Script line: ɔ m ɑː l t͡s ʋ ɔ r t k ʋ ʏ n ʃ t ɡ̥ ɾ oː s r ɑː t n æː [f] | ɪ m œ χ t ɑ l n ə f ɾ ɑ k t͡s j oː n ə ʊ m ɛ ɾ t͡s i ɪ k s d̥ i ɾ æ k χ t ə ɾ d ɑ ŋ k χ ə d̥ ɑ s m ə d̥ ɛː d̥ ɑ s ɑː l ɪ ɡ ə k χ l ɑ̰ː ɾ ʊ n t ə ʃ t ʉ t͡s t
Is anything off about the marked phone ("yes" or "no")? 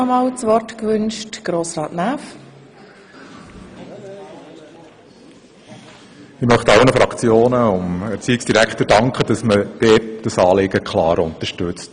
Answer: no